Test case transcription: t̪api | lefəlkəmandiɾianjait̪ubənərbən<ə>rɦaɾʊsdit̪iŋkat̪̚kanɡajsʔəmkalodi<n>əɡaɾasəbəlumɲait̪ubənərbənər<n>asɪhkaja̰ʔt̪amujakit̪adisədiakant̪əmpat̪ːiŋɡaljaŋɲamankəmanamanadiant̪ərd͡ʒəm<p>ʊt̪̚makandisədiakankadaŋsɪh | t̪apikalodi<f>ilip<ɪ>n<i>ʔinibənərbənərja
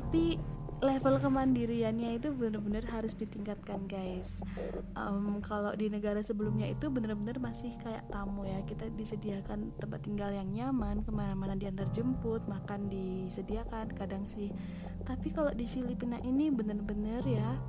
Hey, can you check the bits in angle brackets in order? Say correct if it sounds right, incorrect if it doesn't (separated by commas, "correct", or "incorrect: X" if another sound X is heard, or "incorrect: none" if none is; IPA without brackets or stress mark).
correct, correct, incorrect: m, correct, correct, incorrect: i, incorrect: a